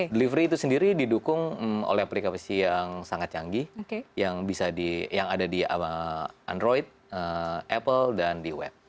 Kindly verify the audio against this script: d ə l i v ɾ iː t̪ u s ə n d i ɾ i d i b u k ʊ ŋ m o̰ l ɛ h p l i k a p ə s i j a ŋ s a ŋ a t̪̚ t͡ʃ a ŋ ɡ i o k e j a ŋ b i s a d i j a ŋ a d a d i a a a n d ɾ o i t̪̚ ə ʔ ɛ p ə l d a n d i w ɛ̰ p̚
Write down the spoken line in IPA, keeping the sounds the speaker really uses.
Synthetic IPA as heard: d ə l i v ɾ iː t̪ u s ə n d i ɾ i d i d u k ʊ ŋ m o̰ l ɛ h p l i k a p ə s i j a ŋ s a ŋ a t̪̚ t͡ʃ a ŋ ɡ i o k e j a ŋ b i s a d i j a ŋ a d a d i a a a n d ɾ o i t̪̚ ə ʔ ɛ p ə l d a n d i w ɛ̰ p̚